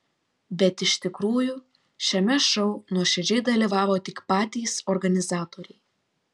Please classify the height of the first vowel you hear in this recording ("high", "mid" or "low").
mid